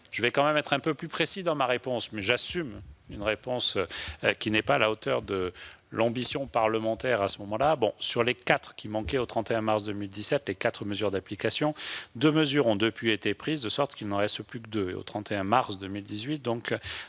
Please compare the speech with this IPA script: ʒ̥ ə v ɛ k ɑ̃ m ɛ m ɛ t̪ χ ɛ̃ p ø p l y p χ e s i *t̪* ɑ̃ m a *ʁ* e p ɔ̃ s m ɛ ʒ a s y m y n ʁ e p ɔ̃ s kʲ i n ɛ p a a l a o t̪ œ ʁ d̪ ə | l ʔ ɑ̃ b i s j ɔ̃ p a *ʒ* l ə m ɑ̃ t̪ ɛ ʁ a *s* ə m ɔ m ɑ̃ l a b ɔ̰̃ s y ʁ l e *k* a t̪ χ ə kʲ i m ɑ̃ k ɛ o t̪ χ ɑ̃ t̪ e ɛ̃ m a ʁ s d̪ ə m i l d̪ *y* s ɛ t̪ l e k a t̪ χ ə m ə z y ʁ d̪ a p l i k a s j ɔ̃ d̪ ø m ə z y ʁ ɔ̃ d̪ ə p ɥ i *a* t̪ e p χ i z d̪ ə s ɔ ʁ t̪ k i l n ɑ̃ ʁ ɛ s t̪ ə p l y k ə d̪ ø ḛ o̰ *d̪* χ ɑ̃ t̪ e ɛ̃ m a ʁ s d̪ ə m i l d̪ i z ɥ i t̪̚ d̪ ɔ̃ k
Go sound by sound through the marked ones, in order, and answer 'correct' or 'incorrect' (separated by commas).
incorrect, correct, incorrect, correct, correct, incorrect, incorrect, incorrect